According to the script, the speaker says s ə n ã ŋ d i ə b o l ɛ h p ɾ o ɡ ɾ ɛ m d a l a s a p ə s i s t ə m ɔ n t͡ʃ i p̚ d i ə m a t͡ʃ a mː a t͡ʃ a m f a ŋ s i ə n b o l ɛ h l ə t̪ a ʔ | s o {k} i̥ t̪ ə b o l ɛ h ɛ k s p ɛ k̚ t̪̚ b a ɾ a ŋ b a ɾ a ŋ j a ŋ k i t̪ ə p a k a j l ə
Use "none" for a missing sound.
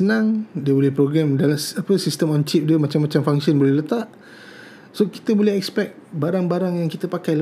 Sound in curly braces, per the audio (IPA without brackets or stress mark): k